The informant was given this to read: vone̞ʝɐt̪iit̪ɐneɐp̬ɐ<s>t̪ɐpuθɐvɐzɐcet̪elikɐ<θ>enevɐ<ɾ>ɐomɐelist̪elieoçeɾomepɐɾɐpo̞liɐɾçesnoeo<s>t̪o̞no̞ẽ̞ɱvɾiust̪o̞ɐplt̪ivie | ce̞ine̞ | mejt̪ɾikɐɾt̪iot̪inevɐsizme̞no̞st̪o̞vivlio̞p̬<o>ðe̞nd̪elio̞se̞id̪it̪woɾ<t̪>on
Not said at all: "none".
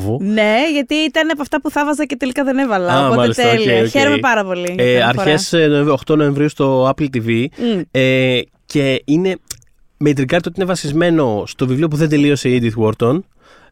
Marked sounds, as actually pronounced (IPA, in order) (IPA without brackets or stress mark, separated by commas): f, ð, l, x, u, t̪